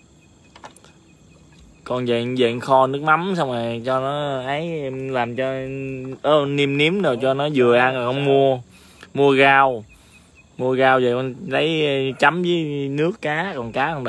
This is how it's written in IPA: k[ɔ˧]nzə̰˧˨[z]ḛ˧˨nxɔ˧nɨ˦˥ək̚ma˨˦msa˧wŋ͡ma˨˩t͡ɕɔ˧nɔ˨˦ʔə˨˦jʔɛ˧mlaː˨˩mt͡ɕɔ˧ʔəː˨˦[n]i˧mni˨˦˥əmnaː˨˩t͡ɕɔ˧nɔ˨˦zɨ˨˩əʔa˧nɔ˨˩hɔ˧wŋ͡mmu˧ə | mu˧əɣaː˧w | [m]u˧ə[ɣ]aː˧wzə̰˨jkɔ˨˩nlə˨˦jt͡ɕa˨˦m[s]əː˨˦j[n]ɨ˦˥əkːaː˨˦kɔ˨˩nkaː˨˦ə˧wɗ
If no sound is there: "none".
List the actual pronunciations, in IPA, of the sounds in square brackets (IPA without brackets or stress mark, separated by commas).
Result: ɔ˨˩, z, n, m, ɣ, z, n